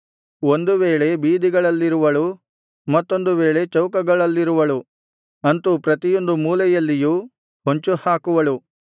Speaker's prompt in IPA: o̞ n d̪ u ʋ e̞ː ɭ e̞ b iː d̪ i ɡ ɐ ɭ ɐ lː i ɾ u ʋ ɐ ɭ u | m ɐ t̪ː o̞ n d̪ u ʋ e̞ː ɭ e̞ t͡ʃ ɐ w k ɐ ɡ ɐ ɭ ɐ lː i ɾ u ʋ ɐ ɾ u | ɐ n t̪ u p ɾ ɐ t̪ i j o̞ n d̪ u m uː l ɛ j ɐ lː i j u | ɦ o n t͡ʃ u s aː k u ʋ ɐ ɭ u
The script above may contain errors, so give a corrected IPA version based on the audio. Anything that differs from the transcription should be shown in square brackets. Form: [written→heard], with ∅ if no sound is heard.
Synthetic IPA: o̞ n d̪ u ʋ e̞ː ɭ e̞ b iː d̪ i ɡ ɐ ɭ ɐ lː i ɾ u ʋ ɐ ɭ u | m ɐ t̪ː o̞ n d̪ u ʋ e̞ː ɭ e̞ t͡ʃ ɐ w k ɐ ɡ ɐ ɭ ɐ lː i ɾ u ʋ ɐ [ɾ→ɭ] u | ɐ n t̪ u p ɾ ɐ t̪ i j o̞ n d̪ u m uː l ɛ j ɐ lː i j u | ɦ o [n→ɲ] t͡ʃ u [s→h] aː k u ʋ ɐ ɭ u